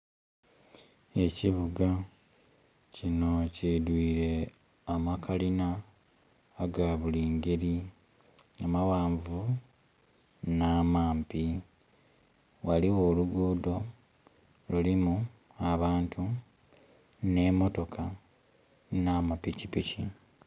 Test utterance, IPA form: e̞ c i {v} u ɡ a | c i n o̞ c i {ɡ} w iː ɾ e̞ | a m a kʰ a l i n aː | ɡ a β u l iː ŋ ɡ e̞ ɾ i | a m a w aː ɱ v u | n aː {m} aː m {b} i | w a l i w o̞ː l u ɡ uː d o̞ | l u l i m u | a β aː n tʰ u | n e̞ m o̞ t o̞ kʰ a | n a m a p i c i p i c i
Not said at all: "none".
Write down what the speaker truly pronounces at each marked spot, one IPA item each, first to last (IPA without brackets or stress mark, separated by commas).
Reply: β, d, m, p